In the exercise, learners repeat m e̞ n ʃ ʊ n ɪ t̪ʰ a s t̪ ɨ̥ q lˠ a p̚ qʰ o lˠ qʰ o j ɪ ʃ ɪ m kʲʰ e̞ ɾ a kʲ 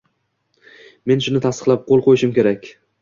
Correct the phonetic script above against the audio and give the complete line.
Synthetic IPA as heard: m e̞ n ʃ ʊ n ɪ t̪ʰ a s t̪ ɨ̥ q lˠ a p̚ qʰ o lˠ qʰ o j ɪ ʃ ɪ m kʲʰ e̞ ɾ a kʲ